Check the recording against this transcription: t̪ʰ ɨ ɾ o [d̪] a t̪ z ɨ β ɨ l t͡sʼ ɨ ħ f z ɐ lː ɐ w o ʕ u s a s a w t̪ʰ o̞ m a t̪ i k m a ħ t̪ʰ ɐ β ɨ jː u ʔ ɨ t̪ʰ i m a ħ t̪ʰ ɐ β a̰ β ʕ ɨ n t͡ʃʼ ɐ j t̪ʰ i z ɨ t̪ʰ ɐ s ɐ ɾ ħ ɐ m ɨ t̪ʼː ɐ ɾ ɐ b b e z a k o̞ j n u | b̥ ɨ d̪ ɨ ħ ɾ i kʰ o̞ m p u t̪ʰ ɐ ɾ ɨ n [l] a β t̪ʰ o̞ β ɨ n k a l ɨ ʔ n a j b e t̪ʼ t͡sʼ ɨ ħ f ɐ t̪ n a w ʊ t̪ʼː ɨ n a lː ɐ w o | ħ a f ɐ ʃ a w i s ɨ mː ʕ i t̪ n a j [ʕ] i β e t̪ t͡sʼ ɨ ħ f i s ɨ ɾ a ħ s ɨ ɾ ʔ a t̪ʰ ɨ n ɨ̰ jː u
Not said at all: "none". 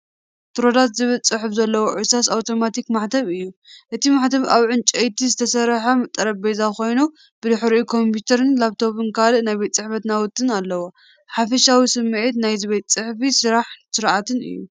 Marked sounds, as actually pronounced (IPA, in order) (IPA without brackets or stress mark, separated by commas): d̪, l, z